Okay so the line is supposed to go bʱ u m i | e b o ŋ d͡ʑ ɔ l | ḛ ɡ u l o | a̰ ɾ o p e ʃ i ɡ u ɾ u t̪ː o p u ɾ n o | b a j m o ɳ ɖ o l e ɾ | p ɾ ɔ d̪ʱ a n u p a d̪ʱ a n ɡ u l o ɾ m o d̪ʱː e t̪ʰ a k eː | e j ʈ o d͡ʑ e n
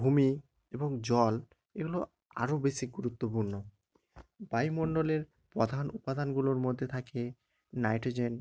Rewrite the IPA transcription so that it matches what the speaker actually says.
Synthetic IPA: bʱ u m i | e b o ŋ d͡ʑ ɔ l | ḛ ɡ u l o | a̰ ɾ o b e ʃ i ɡ u ɾ u t̪ː o p u ɾ n o | b a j m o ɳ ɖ o l e ɾ | p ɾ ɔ d̪ʱ a n u p a d̪ʱ a n ɡ u l o ɾ m o d̪ʱː e t̪ʰ a k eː | a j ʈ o d͡ʑ e n